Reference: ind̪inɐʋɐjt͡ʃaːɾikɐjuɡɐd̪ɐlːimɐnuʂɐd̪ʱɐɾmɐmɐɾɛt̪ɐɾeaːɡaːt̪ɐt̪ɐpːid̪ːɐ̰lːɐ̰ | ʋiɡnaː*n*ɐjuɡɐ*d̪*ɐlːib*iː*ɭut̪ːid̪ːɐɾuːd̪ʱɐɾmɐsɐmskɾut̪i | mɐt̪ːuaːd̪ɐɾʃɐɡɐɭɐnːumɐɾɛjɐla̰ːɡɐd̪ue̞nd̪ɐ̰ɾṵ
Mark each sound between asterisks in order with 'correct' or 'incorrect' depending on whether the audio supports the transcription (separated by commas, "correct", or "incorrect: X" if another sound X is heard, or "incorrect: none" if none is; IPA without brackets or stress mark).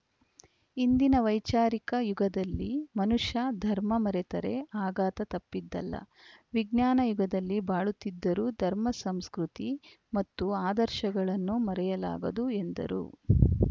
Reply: correct, correct, incorrect: aː